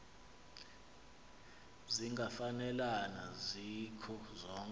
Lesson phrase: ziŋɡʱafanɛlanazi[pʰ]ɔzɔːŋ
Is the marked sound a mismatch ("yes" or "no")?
yes